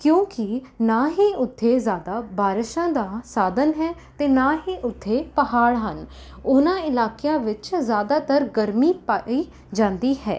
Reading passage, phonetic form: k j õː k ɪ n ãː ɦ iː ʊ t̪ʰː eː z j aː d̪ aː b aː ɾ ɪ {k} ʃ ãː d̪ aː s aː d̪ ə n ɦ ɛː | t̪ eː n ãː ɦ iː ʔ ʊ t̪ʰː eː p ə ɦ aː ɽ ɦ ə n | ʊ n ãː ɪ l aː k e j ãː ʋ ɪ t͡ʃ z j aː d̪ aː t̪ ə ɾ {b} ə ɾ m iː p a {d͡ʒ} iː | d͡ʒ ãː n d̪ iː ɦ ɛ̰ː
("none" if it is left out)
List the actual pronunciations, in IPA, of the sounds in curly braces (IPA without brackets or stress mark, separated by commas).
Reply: none, ɡ, none